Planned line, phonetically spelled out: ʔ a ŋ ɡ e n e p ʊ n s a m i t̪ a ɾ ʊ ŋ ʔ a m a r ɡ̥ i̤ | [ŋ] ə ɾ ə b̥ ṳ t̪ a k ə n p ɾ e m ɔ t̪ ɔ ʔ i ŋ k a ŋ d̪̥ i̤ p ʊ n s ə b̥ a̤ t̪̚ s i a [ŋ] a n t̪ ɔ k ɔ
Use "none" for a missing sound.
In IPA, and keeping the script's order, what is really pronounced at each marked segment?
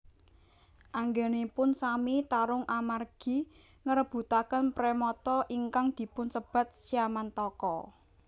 ŋ, m

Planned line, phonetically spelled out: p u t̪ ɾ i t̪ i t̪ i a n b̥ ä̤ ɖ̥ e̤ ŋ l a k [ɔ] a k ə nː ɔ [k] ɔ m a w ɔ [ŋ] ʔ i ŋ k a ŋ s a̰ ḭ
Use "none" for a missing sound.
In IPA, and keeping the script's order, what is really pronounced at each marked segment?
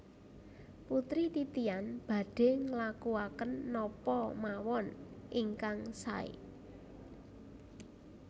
u, p, n

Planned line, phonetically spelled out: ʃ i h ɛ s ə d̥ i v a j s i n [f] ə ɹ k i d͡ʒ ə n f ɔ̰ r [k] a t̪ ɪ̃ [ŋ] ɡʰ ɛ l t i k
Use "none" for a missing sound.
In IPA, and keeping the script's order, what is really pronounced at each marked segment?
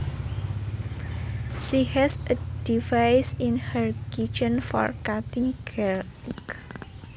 h, k, ŋ

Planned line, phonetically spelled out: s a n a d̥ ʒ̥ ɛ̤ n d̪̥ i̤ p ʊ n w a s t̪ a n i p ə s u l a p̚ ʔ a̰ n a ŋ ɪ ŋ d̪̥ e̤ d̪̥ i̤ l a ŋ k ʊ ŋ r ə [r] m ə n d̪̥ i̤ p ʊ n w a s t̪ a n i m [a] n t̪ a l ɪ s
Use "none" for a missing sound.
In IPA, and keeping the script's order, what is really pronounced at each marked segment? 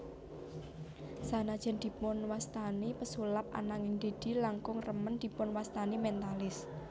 none, ɛ

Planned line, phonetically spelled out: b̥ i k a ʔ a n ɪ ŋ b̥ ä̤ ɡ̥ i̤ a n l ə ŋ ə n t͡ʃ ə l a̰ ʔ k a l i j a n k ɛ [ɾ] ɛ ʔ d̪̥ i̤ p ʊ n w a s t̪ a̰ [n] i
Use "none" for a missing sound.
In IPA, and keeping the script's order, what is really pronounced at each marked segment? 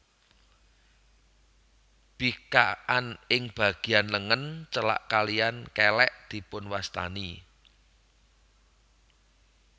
l, n

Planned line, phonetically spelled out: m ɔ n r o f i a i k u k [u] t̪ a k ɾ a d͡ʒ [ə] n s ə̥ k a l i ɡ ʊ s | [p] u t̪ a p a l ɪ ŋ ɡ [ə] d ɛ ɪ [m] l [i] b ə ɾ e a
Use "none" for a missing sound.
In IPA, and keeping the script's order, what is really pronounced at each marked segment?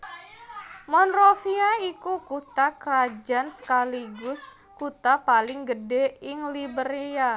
u, a, k, ə, ŋ, i

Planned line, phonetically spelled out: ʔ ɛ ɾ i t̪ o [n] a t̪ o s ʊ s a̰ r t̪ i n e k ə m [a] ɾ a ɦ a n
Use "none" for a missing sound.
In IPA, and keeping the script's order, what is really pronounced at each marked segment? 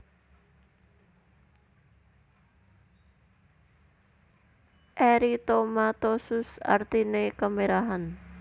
m, e

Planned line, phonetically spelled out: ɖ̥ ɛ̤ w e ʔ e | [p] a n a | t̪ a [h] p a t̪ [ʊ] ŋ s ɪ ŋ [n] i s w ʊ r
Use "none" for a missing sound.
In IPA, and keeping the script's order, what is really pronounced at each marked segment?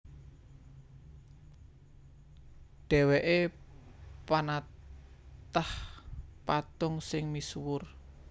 p, h, ʊ, m

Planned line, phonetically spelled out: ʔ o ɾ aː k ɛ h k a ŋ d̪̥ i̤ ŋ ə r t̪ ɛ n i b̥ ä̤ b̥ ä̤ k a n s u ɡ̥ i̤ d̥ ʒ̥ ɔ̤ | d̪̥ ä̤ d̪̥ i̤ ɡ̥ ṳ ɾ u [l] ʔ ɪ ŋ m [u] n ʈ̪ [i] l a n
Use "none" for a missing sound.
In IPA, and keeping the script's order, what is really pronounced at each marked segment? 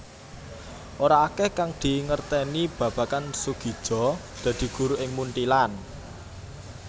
none, u, i

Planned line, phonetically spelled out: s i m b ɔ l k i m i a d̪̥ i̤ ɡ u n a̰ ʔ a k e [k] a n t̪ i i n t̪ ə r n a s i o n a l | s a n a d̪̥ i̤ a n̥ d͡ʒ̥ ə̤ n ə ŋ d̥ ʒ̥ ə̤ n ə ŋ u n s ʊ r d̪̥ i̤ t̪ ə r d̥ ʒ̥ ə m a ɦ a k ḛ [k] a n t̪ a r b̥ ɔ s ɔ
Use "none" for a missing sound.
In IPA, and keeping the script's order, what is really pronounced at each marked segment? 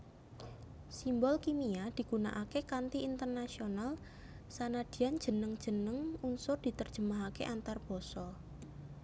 k, ʔ

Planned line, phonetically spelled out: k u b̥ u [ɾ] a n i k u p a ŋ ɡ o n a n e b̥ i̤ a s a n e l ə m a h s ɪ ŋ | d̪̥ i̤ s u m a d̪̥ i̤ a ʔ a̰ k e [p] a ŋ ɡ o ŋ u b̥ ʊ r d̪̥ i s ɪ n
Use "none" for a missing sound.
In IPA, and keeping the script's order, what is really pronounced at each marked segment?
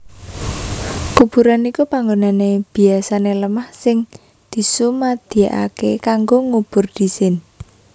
ɾ, k

